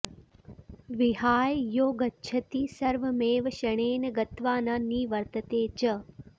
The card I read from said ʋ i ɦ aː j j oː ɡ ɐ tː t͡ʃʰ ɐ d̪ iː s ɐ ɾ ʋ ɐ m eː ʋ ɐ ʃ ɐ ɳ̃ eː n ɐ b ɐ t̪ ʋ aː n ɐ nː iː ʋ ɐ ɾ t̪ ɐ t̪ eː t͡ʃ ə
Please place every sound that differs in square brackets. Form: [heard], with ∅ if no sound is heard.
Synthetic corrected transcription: ʋ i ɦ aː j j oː ɡ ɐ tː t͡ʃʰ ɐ [t̪] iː s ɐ ɾ ʋ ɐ m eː ʋ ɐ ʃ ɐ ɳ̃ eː n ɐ [ɡ] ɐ t̪ ʋ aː n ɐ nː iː ʋ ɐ ɾ t̪ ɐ t̪ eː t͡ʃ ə